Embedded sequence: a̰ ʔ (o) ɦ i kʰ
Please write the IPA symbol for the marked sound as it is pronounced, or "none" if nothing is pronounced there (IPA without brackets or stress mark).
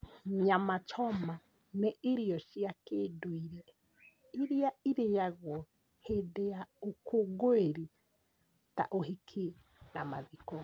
o